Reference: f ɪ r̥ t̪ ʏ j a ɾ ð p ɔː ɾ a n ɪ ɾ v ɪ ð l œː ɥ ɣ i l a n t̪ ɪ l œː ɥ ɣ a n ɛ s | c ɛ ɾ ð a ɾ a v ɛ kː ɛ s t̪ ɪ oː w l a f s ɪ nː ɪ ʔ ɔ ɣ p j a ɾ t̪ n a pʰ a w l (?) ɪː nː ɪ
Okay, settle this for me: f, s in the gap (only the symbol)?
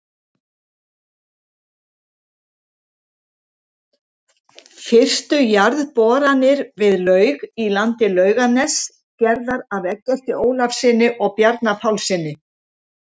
s